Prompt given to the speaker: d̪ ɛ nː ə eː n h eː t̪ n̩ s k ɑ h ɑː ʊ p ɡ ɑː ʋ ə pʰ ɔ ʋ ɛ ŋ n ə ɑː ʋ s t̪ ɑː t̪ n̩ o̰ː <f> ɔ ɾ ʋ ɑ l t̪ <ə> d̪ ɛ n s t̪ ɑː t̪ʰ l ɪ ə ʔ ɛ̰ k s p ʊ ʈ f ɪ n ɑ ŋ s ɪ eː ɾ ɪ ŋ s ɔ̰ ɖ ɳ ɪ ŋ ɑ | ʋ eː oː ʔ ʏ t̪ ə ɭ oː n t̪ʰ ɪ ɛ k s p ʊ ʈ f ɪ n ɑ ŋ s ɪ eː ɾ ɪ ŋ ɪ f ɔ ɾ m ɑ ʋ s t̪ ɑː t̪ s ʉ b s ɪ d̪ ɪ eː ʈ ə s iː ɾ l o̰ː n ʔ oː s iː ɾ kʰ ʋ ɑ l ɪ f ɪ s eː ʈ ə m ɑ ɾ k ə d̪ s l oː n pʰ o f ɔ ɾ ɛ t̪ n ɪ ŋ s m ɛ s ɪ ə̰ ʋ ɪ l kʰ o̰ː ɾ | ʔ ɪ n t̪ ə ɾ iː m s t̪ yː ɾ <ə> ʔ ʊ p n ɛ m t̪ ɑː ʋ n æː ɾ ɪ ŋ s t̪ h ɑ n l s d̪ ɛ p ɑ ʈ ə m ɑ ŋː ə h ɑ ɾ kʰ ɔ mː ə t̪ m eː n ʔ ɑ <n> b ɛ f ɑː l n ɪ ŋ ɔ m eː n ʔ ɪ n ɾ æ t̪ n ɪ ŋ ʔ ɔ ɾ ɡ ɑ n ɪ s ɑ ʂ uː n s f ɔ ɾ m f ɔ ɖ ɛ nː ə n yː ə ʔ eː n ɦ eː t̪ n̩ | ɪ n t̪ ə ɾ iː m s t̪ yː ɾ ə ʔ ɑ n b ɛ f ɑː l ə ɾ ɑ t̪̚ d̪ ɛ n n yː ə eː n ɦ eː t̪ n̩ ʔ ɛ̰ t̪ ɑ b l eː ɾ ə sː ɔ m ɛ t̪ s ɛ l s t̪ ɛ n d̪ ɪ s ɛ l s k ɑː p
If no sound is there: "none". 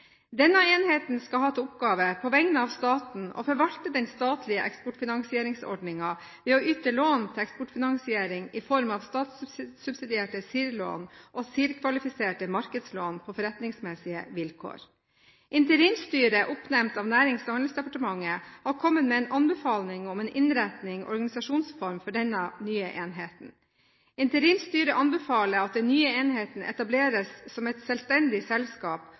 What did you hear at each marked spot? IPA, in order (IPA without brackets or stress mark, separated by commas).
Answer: f, ə, ə, n